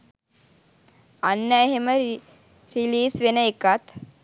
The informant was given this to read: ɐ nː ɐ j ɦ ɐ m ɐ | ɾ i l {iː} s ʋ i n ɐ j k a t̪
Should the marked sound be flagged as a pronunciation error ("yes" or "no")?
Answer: no